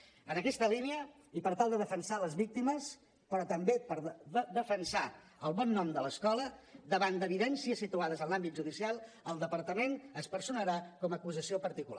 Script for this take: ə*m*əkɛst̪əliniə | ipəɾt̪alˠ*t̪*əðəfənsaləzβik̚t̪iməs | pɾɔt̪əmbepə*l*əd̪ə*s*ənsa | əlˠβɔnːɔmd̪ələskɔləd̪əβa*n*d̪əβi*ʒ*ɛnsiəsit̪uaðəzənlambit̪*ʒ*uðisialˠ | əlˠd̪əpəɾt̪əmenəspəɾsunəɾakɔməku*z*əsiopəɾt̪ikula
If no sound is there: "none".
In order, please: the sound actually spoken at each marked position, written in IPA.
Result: n, d̪, ɾ, f, n, ð, ʒ, z

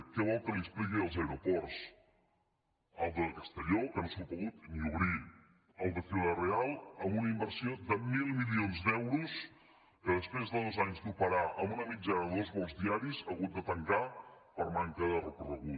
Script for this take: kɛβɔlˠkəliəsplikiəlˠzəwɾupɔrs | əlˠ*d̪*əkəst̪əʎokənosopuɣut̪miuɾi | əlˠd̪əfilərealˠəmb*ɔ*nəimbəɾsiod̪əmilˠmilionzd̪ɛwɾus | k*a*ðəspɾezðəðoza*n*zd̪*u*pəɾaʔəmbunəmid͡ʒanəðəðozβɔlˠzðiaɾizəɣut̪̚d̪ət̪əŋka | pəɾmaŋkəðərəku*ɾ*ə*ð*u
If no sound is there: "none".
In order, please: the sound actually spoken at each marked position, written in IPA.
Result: d̪, u, ə, ɲ, u, r, ɣ

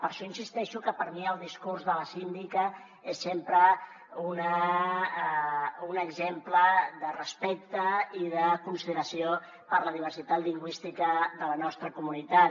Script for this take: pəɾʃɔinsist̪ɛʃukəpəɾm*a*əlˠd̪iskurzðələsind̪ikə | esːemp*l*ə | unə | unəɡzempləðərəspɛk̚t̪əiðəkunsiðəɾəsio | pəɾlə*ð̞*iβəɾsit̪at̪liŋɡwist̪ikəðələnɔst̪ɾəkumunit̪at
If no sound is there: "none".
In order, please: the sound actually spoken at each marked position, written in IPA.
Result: i, ɾ, ð̞

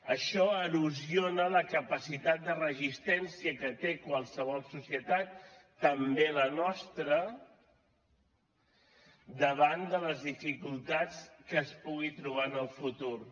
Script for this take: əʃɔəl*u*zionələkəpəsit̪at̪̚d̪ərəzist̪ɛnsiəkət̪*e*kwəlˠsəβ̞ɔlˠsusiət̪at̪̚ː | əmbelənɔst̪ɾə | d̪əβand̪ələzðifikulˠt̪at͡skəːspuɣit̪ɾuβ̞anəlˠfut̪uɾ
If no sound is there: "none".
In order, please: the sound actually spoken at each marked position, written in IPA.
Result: u, e

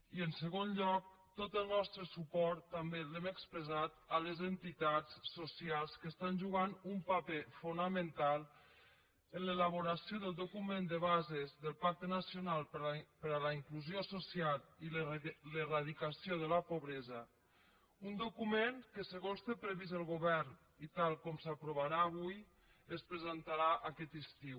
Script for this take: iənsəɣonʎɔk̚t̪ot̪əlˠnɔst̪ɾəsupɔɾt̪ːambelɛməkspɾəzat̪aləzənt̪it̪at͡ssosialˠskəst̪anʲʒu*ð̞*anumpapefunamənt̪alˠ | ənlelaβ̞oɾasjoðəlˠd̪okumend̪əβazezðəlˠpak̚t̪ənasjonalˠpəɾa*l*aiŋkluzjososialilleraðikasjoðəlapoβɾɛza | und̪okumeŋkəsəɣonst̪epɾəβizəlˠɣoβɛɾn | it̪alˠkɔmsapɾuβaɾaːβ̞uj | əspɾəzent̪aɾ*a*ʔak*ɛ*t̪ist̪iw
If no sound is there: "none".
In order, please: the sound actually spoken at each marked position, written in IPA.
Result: ɣ̞, l, a, ɛ

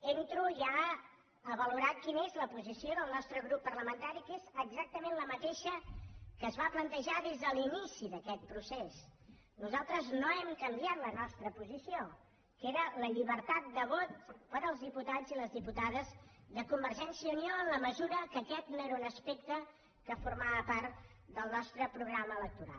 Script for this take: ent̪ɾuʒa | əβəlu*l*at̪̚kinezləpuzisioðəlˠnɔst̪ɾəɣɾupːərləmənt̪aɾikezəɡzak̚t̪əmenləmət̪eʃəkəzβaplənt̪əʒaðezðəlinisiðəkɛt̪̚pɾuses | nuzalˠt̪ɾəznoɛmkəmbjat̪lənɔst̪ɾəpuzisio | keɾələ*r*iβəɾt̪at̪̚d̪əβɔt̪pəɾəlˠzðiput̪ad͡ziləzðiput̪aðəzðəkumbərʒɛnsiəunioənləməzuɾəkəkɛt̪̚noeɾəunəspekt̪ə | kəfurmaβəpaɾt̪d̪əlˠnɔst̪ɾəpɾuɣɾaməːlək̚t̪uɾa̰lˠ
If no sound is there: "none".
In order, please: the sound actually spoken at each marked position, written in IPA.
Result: ɾ, ʎ

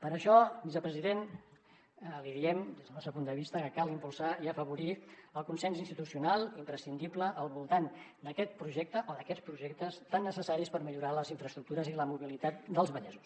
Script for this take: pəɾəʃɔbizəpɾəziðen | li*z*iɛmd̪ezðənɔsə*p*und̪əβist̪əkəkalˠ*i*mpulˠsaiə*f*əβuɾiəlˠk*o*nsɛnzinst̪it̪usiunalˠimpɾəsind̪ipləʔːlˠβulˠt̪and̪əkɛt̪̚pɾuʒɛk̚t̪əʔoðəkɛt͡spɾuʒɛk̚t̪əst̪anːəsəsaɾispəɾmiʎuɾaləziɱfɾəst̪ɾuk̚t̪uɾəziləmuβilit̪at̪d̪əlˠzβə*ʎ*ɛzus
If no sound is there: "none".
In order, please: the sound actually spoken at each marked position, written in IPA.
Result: ð, p, i, f, u, ʎ

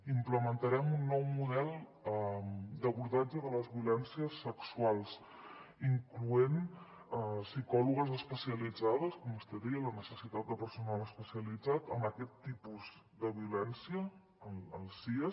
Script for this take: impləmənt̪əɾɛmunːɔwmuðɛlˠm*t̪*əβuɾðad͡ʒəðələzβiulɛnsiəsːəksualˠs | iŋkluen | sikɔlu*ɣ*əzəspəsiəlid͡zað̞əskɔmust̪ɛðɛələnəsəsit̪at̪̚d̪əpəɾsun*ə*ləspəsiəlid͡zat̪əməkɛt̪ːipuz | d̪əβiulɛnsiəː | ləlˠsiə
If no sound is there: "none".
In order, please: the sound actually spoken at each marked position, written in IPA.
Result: d̪, ɣ, a

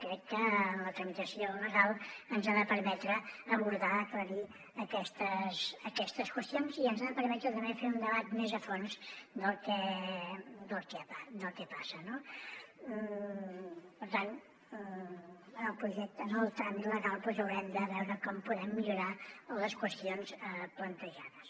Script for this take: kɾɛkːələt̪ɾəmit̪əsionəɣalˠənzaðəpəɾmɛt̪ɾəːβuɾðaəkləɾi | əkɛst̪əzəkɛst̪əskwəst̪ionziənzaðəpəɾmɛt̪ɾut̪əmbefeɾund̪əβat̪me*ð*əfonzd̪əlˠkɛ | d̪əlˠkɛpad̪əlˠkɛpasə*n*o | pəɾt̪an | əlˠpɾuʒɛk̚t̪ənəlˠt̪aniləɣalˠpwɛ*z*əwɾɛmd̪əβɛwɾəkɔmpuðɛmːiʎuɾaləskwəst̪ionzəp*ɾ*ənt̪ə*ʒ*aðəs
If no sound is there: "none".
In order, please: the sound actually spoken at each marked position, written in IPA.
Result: z, n, z, l, ʒ

